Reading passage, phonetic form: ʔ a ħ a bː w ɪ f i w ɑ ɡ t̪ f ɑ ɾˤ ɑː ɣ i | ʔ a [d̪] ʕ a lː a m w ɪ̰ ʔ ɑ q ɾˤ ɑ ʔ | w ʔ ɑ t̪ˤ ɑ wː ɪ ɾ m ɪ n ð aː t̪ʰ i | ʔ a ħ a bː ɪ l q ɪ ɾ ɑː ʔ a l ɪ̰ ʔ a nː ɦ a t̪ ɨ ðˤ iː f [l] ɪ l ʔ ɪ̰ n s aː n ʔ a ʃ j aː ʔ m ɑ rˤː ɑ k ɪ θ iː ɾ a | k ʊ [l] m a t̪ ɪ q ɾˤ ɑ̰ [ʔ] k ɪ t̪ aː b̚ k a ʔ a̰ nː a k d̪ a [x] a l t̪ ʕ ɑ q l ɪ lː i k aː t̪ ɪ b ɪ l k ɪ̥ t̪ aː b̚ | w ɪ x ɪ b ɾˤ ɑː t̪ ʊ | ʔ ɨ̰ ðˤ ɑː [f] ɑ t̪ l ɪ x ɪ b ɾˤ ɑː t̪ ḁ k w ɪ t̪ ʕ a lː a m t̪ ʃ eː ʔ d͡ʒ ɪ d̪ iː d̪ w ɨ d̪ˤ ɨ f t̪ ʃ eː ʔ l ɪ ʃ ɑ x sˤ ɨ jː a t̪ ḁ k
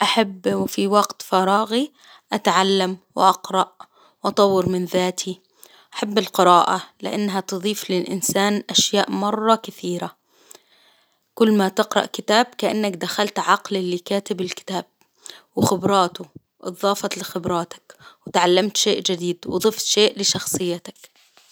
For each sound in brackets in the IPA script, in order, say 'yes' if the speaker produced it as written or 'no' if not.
no, yes, no, yes, yes, yes

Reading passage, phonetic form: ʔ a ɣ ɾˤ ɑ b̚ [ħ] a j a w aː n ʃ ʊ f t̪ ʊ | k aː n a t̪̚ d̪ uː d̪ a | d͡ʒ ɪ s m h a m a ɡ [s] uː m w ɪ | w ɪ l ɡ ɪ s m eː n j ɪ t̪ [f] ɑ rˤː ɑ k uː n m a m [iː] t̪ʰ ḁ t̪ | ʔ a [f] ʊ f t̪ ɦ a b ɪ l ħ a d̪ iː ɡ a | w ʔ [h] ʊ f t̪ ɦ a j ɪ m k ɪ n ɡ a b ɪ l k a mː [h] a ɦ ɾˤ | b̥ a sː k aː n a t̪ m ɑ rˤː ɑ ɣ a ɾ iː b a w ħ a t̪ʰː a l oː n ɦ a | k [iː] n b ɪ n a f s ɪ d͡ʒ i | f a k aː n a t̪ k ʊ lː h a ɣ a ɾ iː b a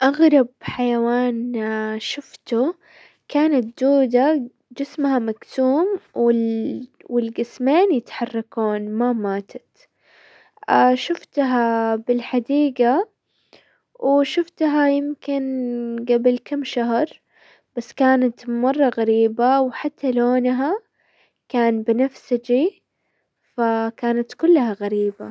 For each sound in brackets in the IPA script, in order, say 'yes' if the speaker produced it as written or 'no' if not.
yes, yes, no, no, no, no, no, no

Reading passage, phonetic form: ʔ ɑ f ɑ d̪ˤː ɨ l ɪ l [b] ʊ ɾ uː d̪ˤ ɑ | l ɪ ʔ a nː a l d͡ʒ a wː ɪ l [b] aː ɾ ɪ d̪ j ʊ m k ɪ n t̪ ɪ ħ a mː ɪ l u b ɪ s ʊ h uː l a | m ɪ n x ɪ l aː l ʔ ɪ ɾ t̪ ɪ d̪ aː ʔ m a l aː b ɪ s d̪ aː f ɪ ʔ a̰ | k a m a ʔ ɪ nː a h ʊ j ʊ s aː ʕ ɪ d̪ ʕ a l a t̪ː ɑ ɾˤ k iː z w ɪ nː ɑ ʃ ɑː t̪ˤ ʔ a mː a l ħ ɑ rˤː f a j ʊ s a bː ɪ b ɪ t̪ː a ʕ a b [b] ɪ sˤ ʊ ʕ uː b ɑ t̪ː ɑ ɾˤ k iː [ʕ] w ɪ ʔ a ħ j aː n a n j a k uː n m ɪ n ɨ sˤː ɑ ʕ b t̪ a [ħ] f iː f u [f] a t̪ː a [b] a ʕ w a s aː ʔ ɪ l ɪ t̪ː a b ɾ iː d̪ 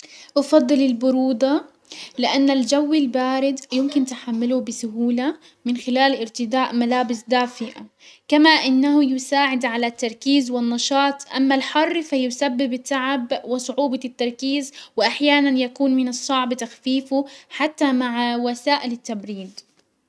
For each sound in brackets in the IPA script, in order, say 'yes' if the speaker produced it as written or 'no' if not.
yes, yes, no, no, no, no, no

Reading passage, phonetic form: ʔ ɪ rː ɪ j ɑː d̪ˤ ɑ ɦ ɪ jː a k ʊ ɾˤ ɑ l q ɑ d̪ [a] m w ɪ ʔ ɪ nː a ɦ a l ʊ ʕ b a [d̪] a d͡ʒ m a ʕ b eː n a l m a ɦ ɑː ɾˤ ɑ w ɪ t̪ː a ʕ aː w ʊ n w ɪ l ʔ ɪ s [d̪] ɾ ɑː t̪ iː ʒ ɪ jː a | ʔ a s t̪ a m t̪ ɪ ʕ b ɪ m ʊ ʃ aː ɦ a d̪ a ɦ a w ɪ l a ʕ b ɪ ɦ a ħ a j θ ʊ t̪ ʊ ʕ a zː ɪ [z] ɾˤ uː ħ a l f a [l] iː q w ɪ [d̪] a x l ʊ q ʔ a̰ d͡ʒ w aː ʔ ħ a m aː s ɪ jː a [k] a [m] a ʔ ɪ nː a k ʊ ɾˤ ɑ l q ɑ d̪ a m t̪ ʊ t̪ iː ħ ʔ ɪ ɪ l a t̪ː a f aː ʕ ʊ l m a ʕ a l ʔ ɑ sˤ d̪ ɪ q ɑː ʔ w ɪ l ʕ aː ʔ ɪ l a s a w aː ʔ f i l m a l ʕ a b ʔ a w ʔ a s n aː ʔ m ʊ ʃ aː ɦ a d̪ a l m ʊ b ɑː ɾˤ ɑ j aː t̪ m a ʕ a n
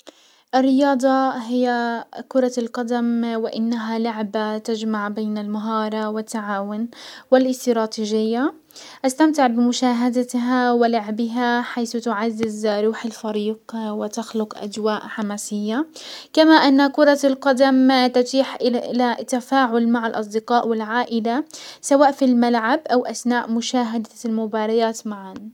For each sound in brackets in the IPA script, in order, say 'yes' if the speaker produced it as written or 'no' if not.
yes, no, no, yes, no, no, yes, yes

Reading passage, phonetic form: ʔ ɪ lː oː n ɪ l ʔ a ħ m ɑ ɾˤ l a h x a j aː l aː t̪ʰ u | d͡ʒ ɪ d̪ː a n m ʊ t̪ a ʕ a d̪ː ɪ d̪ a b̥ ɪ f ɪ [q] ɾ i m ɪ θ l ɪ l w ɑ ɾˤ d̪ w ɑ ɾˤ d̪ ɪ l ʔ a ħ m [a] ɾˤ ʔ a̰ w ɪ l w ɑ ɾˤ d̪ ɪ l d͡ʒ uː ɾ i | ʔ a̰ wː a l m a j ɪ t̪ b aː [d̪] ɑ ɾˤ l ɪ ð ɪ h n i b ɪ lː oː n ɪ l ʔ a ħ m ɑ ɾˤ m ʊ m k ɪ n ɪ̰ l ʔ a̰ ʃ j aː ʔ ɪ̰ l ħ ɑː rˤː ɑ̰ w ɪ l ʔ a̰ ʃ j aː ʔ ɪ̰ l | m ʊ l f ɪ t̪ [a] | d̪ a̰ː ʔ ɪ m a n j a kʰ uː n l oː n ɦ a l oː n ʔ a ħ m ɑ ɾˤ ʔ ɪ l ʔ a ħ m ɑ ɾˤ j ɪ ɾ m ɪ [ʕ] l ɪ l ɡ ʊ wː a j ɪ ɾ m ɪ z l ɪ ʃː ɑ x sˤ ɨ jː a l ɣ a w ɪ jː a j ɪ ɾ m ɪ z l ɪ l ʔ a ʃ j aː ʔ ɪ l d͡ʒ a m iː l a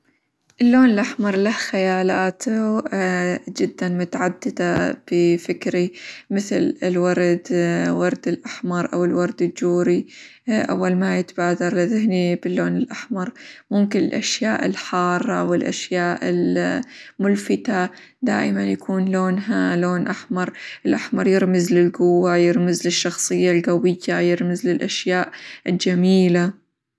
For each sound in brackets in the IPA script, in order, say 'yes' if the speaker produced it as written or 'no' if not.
no, no, yes, yes, no

